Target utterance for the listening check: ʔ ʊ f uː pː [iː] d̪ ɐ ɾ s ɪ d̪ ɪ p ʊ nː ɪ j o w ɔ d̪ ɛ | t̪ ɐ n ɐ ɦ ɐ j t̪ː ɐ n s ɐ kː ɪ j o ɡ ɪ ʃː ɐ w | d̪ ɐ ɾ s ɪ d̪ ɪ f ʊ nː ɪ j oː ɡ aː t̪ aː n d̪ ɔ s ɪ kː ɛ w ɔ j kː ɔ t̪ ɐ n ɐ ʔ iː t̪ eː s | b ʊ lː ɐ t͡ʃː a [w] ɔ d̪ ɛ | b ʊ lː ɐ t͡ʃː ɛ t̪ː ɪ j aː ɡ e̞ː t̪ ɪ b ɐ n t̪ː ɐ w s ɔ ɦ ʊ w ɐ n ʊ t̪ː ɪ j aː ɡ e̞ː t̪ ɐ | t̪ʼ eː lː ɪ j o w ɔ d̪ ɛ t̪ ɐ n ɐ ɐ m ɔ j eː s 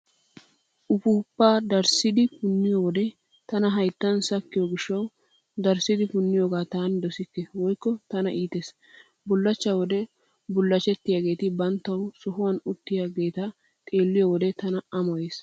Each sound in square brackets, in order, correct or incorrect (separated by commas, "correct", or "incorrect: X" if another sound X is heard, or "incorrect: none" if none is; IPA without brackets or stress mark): incorrect: aː, correct